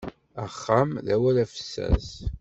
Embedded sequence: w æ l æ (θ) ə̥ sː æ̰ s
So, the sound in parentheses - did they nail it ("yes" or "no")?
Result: no